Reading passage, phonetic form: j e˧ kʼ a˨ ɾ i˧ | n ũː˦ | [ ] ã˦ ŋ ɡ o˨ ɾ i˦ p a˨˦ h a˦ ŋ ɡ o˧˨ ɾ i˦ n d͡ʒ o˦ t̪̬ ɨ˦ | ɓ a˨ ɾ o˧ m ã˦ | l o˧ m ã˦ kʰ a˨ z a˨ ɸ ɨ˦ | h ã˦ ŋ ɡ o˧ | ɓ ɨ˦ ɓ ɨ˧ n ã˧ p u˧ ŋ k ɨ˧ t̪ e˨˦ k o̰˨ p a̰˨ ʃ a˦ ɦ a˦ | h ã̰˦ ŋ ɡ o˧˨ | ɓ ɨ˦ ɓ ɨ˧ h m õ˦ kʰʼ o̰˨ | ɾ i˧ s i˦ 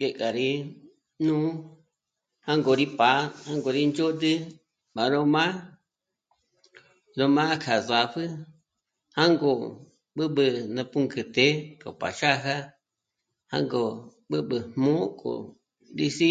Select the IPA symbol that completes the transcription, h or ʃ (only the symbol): h